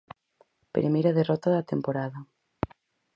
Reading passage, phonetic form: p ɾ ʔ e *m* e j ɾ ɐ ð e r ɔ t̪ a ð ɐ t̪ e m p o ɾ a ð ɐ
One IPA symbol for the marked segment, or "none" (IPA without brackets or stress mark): m